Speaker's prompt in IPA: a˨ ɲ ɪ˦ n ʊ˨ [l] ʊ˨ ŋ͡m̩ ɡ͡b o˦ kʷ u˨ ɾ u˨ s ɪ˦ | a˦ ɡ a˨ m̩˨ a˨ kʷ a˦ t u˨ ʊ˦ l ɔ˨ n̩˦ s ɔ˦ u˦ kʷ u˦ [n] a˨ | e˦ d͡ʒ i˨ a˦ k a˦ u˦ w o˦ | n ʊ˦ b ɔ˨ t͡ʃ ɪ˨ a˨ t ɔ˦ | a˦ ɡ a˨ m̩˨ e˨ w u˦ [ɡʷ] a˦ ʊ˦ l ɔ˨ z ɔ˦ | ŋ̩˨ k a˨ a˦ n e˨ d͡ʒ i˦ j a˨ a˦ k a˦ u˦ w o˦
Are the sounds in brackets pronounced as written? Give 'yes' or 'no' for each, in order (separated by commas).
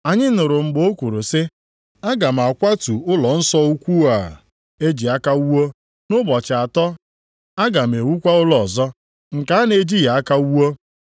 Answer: no, no, no